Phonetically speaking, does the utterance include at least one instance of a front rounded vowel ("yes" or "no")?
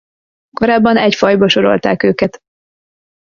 yes